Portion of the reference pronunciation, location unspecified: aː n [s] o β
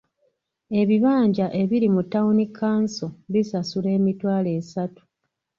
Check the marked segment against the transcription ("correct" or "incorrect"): correct